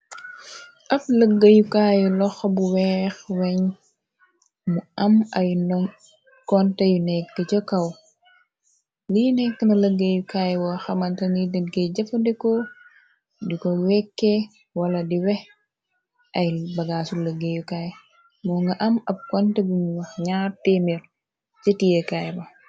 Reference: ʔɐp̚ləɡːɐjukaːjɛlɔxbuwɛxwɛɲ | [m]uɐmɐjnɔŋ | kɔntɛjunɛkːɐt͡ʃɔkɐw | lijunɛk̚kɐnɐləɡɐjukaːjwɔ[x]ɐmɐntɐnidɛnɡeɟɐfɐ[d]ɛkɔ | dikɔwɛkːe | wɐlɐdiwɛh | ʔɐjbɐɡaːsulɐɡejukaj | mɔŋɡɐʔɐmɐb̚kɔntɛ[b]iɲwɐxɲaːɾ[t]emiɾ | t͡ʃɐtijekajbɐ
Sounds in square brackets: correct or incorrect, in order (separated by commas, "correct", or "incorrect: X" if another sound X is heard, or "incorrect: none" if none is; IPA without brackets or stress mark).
correct, correct, correct, correct, correct